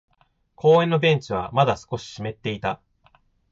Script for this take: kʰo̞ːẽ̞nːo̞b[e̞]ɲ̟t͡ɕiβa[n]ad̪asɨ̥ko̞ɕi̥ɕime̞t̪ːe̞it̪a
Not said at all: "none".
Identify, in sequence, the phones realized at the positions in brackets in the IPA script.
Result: ẽ̞, m

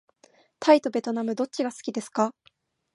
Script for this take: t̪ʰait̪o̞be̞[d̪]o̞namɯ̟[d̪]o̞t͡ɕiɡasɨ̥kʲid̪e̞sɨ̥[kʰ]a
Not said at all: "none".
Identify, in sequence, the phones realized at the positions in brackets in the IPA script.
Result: t̪, d̪, k

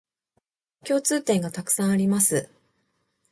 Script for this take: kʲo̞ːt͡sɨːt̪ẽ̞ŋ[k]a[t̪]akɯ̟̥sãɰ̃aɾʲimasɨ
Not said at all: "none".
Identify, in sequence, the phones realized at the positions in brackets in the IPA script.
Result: ɡ, t̪

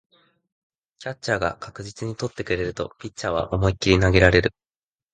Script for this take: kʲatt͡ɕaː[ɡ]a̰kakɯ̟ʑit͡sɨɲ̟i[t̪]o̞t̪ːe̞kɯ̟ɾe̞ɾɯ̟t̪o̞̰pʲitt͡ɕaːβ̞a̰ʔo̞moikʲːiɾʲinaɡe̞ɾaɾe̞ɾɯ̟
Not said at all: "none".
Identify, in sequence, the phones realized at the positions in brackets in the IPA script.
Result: ɡ, t̪

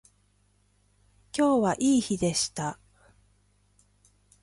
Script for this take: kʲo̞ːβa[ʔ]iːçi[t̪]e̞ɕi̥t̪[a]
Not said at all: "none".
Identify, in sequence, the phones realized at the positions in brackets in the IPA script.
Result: ʔ, d̪, a

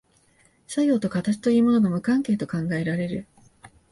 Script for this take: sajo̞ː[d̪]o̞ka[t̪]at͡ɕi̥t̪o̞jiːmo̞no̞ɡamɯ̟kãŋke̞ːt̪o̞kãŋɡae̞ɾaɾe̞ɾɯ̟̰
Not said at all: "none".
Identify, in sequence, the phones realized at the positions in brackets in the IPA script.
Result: t̪, t̪

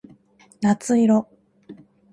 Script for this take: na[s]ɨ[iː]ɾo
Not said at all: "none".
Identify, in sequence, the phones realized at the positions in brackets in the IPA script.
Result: t͡s, i

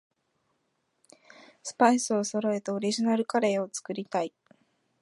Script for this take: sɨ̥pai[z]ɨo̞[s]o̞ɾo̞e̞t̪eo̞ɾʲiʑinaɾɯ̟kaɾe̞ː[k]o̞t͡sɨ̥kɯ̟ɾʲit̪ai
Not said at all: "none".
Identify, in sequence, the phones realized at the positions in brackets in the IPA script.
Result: s, s, none

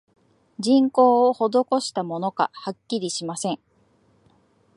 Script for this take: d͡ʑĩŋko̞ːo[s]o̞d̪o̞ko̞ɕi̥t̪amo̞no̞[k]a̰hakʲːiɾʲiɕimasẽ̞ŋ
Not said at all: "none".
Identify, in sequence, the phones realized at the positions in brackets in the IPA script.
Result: h, k

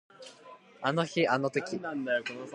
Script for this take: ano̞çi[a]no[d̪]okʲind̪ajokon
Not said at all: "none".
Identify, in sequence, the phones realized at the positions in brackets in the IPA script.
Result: a, t̪

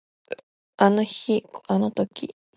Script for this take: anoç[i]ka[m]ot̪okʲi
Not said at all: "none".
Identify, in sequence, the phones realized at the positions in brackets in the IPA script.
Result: i, n

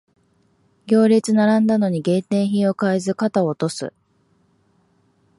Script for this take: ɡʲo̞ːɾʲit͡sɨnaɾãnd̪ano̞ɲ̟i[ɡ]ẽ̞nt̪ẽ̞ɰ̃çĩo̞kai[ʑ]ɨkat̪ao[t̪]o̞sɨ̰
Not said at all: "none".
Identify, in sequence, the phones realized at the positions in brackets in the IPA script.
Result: ɡ, z, t̪

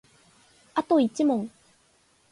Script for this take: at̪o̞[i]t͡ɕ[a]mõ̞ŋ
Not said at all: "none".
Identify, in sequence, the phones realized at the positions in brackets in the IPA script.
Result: i, i

